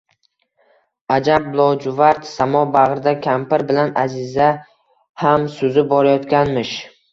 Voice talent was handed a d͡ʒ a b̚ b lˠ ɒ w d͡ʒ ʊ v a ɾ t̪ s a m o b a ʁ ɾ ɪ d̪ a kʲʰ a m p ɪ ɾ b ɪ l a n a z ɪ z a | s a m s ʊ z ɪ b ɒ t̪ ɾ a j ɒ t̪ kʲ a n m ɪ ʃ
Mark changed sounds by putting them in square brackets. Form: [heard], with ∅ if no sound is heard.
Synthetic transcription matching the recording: a d͡ʒ a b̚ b lˠ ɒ w d͡ʒ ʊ v a ɾ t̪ s a m [ɒ] b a ʁ ɾ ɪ d̪ a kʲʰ a m p ɪ ɾ b ɪ l a n a z ɪ z a | [h] a m s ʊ z ɪ b ɒ [∅] ɾ a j ɒ t̪ kʲ a n m ɪ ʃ